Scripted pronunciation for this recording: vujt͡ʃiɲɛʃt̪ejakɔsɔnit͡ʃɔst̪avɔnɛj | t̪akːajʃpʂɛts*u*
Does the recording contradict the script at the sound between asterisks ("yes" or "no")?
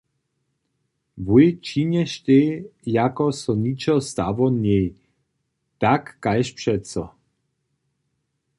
yes